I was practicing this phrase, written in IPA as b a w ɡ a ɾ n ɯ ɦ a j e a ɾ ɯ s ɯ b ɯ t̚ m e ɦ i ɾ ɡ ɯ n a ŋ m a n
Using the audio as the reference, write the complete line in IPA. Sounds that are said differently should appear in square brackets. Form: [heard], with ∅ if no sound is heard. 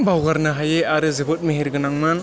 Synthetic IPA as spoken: b a w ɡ a ɾ n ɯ ɦ a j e a ɾ ɯ [z] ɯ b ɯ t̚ m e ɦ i ɾ ɡ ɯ n a ŋ m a n